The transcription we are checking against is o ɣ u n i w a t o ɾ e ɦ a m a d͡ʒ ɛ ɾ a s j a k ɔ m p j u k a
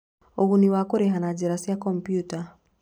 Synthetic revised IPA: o ɣ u n i w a k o ɾ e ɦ a n a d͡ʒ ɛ ɾ a s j a k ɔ m p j u t a